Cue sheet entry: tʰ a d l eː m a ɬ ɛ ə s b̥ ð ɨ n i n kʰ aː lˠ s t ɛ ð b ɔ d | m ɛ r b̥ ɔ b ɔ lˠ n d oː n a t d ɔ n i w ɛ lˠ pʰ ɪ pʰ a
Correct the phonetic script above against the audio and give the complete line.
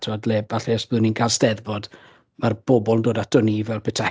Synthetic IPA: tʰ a d l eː b a ɬ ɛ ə s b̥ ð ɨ n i n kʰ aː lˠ s t ɛ ð b ɔ d | m a r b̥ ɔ b ɔ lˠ n d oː d a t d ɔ n i v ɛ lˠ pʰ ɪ tʰ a